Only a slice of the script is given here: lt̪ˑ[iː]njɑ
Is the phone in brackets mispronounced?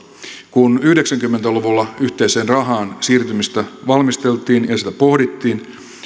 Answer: no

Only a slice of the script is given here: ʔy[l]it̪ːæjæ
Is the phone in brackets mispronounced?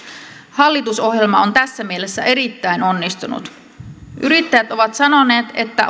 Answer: yes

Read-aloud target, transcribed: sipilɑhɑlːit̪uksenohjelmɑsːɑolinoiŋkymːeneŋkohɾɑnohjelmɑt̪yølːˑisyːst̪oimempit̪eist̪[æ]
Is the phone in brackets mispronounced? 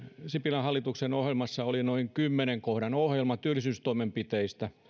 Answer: no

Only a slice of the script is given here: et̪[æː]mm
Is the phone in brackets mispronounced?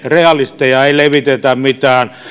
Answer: yes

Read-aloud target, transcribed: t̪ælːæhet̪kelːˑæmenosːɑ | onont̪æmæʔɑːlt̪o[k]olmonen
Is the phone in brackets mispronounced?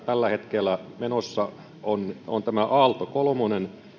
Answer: no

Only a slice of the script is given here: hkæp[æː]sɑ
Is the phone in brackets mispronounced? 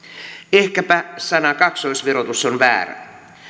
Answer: yes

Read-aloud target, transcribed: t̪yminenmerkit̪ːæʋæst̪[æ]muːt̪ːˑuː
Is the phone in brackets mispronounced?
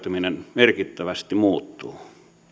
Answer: yes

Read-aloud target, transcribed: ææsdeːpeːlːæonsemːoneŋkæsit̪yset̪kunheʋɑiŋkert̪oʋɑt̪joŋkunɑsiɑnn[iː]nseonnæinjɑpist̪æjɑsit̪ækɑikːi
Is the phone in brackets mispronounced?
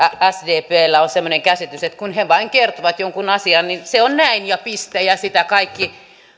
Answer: yes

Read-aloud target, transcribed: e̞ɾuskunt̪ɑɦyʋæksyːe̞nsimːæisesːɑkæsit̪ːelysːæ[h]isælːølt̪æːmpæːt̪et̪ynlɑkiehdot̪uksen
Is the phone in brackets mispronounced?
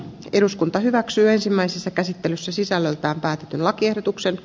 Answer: yes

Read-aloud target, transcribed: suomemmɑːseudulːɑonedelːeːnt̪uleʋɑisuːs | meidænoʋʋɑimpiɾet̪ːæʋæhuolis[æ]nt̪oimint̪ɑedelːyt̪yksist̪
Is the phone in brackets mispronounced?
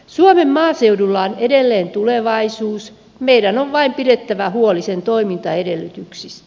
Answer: yes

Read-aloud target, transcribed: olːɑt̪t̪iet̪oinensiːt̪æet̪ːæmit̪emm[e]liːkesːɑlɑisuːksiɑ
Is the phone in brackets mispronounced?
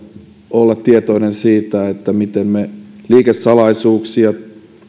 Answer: no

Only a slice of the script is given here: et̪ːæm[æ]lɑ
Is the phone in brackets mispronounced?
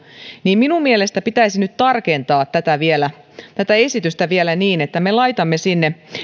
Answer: yes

